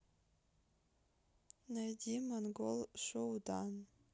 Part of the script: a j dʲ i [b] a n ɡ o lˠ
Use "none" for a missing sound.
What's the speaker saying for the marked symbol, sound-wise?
m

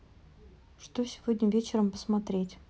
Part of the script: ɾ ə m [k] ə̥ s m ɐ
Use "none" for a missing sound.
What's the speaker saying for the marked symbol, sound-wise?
p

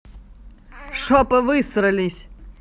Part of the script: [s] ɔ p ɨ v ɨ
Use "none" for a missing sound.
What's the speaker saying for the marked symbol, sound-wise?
ʂ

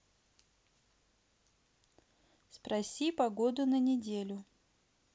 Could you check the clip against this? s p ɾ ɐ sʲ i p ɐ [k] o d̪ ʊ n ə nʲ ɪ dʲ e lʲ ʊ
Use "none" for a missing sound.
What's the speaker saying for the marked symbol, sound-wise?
ɡ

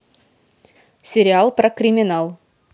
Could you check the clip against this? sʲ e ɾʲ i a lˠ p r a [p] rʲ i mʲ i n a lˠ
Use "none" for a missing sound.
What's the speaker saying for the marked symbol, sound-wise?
k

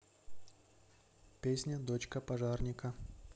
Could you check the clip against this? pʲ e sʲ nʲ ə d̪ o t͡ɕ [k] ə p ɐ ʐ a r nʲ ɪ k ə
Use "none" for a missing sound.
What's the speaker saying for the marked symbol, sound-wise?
k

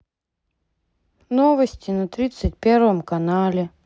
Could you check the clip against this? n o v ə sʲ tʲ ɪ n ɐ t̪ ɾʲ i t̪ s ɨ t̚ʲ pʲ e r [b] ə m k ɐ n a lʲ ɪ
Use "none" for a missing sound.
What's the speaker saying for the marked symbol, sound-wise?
v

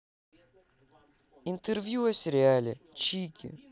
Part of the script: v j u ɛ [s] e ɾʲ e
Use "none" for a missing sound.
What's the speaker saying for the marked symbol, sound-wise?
s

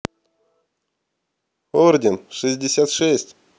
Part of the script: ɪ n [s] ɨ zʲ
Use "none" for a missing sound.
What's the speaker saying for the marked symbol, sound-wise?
ʂ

